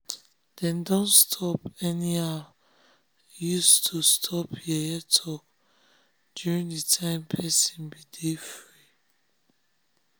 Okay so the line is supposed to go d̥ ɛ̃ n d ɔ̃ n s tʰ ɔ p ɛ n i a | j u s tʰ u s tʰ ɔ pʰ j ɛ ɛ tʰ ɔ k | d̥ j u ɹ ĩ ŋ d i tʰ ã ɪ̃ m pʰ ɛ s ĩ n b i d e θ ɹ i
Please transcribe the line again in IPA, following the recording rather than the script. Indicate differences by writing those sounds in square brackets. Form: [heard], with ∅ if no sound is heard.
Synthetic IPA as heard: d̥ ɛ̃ n d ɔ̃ n s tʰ ɔ p ɛ n i a | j u s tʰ u s tʰ ɔ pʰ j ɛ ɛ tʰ ɔ k | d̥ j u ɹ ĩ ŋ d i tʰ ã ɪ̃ m pʰ ɛ s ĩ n b i d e [f] ɹ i